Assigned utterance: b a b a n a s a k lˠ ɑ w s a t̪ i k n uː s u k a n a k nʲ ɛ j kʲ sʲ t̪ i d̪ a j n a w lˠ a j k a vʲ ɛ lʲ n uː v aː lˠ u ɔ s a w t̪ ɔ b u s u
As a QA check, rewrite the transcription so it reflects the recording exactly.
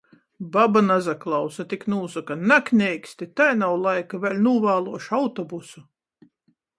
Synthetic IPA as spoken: b a b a n a z a k lˠ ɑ w s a t̪ i k n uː s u k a n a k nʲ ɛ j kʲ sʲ t̪ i t̪ a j n a w lˠ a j k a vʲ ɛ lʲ n uː v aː lˠ u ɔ ʃ a w t̪ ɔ b u s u